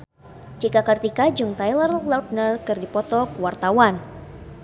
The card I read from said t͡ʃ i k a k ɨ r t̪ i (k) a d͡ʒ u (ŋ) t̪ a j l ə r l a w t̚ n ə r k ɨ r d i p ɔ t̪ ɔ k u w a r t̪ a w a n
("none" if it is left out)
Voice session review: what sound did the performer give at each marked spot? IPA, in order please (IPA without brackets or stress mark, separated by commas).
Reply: k, ŋ